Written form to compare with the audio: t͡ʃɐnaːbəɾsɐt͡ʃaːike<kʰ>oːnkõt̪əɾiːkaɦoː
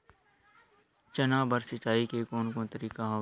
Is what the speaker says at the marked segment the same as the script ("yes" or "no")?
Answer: no